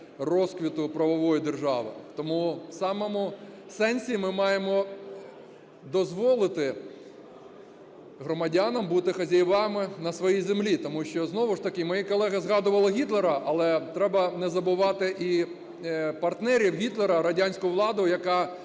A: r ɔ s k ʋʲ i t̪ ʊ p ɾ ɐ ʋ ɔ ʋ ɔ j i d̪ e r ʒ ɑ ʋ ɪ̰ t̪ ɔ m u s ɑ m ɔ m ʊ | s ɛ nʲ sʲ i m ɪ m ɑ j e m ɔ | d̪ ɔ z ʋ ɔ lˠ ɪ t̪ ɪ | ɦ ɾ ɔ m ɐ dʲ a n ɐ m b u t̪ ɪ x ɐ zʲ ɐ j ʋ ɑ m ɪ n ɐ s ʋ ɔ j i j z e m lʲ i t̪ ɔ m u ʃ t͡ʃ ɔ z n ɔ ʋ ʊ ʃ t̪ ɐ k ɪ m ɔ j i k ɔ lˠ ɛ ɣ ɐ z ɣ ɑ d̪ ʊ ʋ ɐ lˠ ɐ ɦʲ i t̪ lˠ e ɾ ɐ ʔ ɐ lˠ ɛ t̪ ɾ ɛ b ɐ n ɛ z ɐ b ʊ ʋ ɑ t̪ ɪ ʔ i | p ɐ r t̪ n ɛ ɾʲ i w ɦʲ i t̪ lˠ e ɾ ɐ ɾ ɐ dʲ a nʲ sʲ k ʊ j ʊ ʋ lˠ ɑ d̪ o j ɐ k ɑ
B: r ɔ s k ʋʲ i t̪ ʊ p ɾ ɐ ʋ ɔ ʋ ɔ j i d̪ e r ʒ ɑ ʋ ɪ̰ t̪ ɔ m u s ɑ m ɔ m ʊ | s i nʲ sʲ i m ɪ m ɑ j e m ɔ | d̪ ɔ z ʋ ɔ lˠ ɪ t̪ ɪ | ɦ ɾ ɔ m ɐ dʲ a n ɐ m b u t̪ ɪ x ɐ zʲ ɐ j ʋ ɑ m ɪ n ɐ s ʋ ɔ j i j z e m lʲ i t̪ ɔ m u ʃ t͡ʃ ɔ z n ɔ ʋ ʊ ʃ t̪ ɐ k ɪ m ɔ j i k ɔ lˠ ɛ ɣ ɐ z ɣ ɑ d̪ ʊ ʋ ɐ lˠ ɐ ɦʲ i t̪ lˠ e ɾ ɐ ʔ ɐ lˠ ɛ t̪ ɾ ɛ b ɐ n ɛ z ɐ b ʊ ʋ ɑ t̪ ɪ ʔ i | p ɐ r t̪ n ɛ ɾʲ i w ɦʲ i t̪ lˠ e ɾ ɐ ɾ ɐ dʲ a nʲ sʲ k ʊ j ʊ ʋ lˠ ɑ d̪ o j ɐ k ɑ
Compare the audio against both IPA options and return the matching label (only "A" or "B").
A